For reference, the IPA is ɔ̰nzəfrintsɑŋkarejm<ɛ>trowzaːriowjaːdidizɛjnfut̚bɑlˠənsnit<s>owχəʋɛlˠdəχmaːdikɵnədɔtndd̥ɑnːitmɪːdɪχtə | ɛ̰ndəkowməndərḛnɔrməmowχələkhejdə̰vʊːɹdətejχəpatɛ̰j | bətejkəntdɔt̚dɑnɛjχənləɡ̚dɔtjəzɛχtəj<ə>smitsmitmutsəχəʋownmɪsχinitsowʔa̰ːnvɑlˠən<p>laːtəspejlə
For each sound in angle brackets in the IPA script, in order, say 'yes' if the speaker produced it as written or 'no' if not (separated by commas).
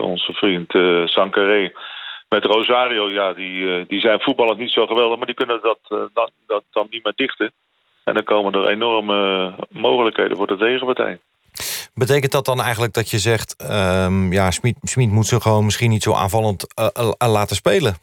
yes, yes, no, no